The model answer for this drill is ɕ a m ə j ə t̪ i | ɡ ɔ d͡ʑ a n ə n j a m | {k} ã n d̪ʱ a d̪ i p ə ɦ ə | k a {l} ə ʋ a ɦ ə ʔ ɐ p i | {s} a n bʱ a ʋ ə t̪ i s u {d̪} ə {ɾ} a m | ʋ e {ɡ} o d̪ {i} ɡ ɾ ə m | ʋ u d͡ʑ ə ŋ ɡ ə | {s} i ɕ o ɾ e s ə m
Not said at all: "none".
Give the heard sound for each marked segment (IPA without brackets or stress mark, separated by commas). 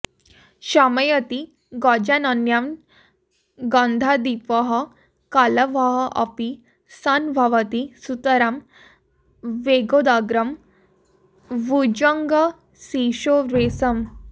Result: ɡ, l, s, t̪, ɾ, ɡ, a, s